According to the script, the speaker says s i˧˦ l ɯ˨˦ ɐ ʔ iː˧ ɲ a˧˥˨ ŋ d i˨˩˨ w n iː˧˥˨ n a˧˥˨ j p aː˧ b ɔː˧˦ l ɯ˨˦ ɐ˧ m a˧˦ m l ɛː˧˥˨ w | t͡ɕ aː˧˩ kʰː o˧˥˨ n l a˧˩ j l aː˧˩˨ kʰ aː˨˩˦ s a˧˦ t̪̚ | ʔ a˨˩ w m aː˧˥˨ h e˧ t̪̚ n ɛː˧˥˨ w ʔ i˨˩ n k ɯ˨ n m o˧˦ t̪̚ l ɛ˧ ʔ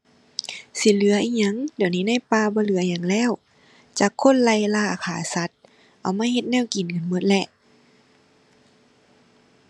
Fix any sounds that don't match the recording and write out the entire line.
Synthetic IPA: s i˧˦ l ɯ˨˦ ɐ ʔ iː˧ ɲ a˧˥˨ ŋ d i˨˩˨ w n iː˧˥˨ n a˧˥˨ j p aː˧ b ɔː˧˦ l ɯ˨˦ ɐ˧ ɲ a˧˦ ŋ l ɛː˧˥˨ w | t͡ɕ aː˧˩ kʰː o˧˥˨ n l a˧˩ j l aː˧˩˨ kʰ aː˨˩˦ s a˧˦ t̪̚ | ʔ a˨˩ w m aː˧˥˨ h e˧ t̪̚ n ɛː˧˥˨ w k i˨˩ n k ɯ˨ n m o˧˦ t̪̚ l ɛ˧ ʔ